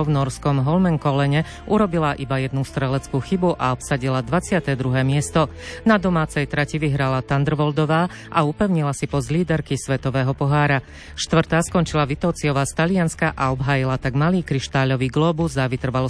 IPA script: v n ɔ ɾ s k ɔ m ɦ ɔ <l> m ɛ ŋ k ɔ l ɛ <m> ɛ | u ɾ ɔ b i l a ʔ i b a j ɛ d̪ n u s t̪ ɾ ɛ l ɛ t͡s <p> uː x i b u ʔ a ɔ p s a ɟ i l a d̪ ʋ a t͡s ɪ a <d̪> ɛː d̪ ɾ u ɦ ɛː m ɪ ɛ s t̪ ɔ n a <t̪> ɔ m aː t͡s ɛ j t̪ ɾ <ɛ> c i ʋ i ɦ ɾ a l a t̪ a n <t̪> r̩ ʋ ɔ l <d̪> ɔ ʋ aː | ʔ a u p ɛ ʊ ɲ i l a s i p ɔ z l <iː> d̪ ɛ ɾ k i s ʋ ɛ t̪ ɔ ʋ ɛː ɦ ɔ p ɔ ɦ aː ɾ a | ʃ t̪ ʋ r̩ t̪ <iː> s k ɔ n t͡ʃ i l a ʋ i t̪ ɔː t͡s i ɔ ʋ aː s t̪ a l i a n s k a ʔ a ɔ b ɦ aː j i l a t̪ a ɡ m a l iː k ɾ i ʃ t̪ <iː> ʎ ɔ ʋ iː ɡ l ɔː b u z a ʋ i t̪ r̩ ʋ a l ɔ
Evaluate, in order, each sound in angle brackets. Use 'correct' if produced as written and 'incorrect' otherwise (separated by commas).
correct, incorrect, incorrect, incorrect, incorrect, incorrect, incorrect, correct, correct, incorrect, incorrect